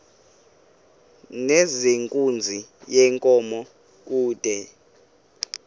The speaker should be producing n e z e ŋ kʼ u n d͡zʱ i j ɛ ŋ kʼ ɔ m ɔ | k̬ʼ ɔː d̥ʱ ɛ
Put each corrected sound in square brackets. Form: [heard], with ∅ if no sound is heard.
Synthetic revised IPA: n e z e ŋ kʼ u n d͡zʱ i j ɛ ŋ kʼ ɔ m ɔ | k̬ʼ [uː] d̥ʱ ɛ